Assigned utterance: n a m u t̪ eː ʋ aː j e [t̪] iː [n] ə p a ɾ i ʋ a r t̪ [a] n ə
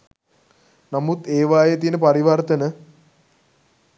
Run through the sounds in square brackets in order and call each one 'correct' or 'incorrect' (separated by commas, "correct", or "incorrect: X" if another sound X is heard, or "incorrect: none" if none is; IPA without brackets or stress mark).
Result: correct, correct, incorrect: ə